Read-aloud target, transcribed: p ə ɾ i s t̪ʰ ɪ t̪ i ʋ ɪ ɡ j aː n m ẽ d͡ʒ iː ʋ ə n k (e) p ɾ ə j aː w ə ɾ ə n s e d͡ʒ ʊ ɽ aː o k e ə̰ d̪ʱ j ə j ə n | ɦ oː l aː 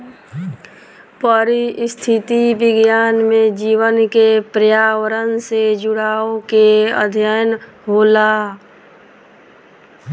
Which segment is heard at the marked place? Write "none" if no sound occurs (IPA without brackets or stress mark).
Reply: e